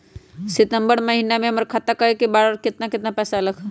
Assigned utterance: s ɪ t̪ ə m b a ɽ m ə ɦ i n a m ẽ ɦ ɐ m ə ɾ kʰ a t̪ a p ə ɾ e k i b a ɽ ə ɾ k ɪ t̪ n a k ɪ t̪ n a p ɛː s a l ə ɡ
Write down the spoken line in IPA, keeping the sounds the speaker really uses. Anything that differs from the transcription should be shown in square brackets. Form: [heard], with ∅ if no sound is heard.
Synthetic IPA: s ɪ t̪ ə m b [ə] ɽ m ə ɦ i n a m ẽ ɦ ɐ m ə ɾ kʰ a t̪ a [k] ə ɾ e k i b a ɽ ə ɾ k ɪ t̪ n a k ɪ t̪ n a p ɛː s a l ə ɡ